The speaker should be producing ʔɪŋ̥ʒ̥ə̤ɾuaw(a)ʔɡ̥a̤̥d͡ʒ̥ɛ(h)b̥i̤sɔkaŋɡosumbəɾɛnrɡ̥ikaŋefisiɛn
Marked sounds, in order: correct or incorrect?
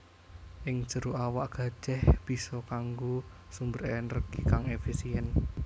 correct, correct

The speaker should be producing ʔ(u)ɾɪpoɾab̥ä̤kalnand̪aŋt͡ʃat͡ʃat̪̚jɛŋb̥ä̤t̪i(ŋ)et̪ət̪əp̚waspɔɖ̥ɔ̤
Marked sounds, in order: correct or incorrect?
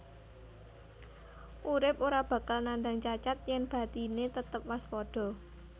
correct, incorrect

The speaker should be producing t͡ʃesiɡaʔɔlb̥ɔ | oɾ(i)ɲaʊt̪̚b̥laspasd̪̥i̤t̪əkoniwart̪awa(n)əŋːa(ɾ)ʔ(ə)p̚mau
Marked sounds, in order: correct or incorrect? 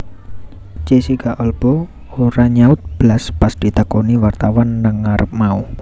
incorrect, incorrect, correct, correct

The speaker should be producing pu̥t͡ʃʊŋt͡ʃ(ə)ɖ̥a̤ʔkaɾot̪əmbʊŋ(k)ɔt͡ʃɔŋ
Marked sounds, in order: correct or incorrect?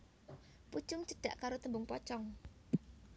correct, incorrect

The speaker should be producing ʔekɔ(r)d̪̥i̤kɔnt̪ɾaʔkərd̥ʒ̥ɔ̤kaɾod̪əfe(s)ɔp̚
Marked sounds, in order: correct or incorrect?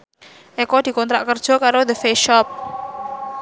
incorrect, incorrect

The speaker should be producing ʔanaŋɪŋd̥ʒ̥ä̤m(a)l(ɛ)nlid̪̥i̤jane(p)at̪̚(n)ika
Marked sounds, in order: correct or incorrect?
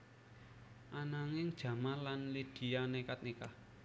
correct, incorrect, incorrect, correct

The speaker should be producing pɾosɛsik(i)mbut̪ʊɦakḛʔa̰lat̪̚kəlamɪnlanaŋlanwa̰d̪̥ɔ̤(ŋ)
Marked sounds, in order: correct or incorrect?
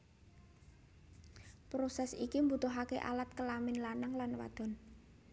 correct, incorrect

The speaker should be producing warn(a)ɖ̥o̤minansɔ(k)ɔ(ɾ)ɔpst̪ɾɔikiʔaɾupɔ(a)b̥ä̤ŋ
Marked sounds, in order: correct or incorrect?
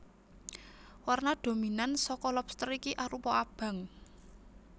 correct, correct, incorrect, correct

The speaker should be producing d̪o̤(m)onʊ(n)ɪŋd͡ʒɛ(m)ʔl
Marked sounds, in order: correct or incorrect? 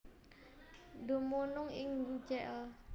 correct, incorrect, incorrect

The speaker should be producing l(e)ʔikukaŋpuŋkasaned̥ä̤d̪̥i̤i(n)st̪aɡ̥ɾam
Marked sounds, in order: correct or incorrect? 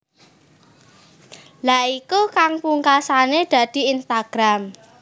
incorrect, correct

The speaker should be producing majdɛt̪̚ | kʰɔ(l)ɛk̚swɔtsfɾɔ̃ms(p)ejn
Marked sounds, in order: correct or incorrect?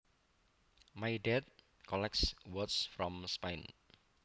correct, correct

